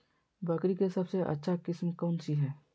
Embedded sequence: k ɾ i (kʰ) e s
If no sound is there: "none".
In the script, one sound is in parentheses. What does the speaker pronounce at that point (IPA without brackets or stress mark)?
k